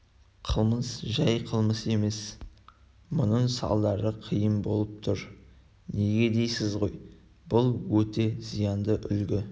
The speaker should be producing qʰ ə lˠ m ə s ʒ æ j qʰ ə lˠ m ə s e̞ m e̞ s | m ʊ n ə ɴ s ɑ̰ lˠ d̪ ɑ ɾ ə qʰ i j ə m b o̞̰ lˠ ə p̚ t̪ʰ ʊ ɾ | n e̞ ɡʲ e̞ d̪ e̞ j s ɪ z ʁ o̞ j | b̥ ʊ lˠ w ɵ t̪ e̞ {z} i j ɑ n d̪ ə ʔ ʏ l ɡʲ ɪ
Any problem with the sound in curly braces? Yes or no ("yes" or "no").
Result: no